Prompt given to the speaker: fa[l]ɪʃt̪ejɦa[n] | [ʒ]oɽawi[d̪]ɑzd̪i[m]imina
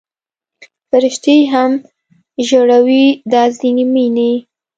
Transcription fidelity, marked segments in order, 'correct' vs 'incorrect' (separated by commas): incorrect, incorrect, correct, correct, incorrect